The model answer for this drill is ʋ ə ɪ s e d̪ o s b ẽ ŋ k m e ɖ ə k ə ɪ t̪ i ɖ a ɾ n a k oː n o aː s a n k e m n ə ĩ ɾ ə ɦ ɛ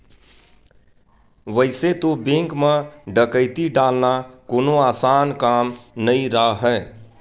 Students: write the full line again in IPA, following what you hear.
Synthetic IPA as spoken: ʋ ə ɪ s e t̪ o b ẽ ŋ k m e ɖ ə k ə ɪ t̪ i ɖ a l n a k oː n o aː s a n k a m n ə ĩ ɾ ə ɦ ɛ